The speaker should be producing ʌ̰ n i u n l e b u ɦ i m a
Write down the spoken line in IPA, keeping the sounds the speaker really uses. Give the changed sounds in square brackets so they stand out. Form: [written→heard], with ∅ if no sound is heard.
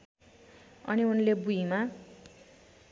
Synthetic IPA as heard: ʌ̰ n i u n l e b u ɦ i m a